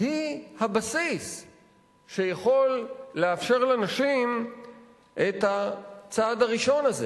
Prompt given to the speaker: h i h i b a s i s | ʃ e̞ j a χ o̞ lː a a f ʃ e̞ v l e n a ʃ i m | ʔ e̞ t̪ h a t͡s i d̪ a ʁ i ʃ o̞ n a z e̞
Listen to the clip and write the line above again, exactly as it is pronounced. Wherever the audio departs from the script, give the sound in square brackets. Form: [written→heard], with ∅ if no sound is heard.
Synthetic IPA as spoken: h i h [i→a] b a s i s | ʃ e̞ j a χ o̞ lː [a→e] a f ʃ e̞ [v→ʁ] l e n a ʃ i m | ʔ e̞ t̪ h a t͡s [i→a] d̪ a ʁ i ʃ o̞ n a z e̞